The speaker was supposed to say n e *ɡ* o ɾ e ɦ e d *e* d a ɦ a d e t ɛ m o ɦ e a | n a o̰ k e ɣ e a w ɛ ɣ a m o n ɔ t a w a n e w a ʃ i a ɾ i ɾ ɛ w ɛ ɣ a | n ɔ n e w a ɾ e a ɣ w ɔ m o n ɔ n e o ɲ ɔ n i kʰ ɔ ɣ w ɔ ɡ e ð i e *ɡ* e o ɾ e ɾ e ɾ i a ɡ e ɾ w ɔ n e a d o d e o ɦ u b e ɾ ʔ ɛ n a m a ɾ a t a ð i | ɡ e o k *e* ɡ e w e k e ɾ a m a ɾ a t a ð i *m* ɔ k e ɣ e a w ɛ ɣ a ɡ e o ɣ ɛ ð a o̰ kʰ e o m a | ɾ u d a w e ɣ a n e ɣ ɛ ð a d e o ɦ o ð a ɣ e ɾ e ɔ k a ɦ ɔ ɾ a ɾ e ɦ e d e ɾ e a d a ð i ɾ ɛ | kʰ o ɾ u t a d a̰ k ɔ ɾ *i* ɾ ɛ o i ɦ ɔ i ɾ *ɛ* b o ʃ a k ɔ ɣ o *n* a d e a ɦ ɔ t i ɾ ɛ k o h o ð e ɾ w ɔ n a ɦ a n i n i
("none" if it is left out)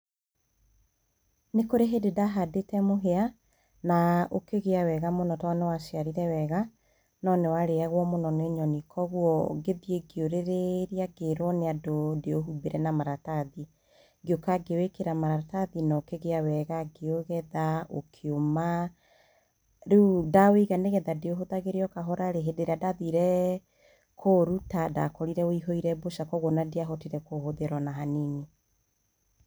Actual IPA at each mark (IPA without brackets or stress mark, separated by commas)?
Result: k, e, ɡ, a, n, i, ɛ, n